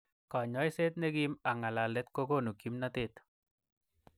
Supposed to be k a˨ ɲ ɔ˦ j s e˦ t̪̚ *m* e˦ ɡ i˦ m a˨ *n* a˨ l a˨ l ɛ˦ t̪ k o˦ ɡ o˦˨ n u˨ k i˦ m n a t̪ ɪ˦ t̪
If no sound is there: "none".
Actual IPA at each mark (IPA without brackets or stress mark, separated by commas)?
n, ŋ